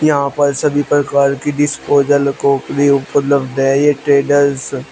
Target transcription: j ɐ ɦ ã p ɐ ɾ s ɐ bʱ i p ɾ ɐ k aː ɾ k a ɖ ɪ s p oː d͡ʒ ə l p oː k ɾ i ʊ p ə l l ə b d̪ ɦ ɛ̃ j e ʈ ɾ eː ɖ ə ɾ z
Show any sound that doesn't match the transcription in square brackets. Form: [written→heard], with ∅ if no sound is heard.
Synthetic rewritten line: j ɐ ɦ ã p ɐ ɾ s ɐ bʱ i p ɾ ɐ k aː ɾ k [a→i] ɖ ɪ s p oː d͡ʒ ə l [p→k] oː k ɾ i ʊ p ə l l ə b d̪ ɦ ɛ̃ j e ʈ ɾ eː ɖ ə ɾ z